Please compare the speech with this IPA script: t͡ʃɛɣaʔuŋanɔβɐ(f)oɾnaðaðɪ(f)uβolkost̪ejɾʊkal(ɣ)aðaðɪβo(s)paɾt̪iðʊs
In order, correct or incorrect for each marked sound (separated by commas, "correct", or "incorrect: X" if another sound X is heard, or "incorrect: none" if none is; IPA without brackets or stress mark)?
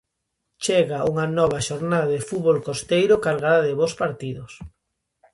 incorrect: ʃ, correct, correct, correct